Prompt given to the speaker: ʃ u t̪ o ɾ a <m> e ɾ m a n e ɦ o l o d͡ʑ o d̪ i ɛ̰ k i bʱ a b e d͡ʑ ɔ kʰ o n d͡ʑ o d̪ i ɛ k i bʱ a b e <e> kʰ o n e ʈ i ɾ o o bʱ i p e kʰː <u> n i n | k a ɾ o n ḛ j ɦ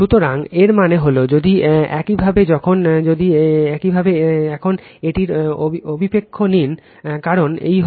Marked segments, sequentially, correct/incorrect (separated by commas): incorrect, incorrect, incorrect